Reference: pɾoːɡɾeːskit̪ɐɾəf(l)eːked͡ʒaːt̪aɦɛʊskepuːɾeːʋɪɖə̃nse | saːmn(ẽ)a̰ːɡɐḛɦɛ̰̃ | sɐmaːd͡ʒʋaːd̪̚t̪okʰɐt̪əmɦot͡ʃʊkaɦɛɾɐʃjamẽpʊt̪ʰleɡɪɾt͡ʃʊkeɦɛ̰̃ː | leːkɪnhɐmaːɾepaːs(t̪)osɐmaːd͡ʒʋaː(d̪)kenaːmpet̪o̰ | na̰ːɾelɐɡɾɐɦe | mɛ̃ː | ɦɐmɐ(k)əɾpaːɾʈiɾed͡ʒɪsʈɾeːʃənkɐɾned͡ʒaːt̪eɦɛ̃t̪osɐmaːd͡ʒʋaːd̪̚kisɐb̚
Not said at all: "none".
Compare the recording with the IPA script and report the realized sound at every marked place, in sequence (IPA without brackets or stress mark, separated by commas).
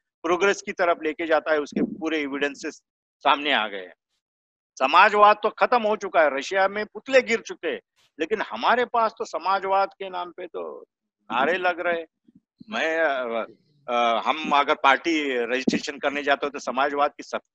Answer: l, e, t̪, d̪, ɡ